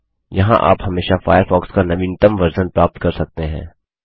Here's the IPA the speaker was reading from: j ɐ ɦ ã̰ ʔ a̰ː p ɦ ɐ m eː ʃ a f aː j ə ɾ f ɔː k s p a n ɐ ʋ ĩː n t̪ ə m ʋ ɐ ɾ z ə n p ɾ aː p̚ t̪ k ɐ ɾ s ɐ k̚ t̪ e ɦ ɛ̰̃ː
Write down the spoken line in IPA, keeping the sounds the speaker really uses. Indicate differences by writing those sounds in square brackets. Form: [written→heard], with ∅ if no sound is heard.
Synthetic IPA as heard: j ɐ ɦ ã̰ ʔ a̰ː p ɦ ɐ m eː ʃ a f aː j ə ɾ f ɔː k s [p→k] a n ɐ ʋ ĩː n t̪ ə m ʋ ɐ ɾ z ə n p ɾ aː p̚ t̪ k ɐ ɾ s ɐ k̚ t̪ e ɦ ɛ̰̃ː